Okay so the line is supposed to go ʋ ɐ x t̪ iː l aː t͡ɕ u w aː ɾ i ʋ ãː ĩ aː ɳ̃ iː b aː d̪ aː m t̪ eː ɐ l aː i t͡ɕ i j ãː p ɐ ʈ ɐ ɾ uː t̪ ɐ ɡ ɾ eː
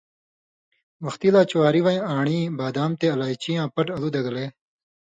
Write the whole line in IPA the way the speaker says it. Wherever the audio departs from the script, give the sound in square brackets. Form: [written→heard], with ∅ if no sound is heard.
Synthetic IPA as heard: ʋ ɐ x t̪ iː l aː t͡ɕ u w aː ɾ i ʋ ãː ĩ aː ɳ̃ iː b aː d̪ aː m t̪ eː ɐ l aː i t͡ɕ i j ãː p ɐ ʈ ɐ [ɾ→l] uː [t̪→d̪] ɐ ɡ [ɾ→l] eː